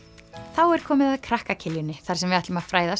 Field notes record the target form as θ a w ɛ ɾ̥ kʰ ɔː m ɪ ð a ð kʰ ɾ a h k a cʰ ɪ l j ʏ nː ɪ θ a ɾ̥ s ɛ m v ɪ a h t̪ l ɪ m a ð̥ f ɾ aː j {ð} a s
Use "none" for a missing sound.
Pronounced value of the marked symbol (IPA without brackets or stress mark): ð